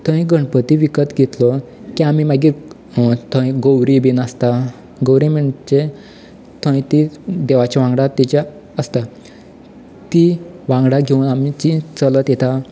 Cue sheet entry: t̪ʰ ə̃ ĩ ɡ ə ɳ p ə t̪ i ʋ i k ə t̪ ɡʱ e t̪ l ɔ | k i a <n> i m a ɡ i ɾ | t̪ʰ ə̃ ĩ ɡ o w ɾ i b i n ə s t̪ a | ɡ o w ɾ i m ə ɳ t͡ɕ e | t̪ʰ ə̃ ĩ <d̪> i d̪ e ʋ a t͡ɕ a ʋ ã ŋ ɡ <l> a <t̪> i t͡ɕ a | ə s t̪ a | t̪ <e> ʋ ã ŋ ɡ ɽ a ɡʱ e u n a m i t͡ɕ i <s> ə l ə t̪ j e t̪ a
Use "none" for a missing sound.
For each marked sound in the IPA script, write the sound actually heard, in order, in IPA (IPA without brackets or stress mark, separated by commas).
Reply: m, t̪, ɽ, t̪, i, t͡s